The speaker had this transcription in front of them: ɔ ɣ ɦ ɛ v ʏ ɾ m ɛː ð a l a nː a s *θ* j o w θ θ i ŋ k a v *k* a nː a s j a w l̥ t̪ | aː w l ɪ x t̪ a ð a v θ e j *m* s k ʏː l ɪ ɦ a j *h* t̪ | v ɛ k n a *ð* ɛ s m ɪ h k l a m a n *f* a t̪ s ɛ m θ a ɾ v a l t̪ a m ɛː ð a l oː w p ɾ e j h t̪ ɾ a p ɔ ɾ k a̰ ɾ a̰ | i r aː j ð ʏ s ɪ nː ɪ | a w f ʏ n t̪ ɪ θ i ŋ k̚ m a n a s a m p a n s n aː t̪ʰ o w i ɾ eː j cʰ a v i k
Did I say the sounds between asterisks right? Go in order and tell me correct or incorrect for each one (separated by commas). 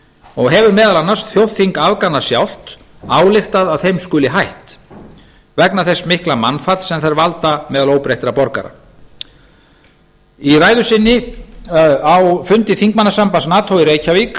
correct, correct, correct, correct, incorrect, correct